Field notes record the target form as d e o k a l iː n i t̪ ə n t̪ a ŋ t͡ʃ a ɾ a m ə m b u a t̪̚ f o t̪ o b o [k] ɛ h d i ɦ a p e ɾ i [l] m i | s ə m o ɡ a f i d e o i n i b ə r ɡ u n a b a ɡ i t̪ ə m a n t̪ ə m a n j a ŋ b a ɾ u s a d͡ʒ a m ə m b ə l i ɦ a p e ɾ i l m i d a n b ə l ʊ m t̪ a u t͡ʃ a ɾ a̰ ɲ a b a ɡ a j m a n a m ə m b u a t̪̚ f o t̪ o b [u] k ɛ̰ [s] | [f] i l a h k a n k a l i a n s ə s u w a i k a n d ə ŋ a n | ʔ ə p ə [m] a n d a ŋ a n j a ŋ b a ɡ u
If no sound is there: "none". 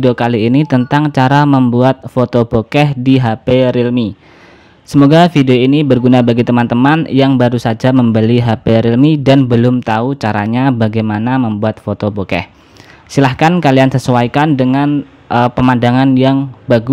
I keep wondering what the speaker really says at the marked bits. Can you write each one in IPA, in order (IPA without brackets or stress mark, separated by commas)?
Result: k, l, o, h, s, m